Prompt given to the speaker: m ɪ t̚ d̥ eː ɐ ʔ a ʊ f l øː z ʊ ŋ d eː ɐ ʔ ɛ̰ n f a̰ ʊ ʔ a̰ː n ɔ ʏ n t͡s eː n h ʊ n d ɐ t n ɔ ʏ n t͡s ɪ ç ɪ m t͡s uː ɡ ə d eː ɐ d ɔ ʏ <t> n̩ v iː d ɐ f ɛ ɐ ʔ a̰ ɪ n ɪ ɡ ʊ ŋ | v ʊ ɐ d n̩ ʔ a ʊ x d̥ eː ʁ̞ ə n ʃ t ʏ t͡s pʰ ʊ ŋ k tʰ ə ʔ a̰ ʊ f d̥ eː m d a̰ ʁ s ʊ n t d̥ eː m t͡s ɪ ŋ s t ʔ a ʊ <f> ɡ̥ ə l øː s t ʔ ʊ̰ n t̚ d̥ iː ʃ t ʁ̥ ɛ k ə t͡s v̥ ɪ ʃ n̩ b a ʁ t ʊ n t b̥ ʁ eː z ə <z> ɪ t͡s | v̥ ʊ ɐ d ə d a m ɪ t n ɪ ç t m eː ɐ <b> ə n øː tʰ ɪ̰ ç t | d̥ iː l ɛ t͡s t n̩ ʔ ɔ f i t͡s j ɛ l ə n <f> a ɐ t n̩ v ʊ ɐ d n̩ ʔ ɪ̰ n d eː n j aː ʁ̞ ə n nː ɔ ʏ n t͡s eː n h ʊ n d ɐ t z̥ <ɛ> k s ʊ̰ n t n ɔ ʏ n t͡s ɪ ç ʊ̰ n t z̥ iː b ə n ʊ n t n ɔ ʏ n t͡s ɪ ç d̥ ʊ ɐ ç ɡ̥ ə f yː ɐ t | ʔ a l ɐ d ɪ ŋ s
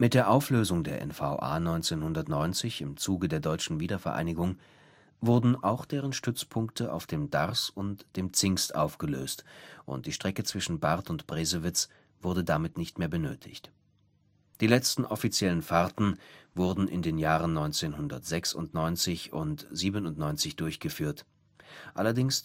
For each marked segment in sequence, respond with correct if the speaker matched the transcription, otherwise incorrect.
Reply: incorrect: t͡ʃ, correct, incorrect: v, correct, correct, correct

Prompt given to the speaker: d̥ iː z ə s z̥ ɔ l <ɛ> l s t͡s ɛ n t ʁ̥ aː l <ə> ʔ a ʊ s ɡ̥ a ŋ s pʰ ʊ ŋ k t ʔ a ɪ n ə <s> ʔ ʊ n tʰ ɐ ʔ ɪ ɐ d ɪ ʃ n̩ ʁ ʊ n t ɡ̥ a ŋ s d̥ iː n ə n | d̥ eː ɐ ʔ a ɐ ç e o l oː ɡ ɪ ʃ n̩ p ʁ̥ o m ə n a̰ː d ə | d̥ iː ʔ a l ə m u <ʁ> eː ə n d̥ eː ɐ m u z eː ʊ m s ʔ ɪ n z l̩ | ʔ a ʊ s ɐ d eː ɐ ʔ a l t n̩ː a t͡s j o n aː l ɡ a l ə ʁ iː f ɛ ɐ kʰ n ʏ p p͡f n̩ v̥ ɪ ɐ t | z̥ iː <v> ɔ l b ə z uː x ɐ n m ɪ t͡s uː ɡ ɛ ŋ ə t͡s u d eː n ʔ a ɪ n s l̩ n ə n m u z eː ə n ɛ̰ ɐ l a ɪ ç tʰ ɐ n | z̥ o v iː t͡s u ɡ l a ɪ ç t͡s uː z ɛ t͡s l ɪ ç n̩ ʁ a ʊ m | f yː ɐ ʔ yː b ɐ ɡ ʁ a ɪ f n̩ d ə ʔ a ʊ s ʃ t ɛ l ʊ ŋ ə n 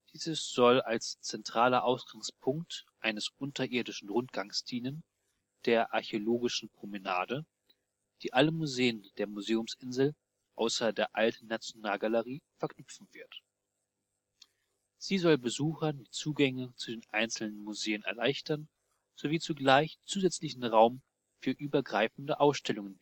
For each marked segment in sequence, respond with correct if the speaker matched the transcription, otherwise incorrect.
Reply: incorrect: a, incorrect: ɐ, correct, incorrect: z, incorrect: z

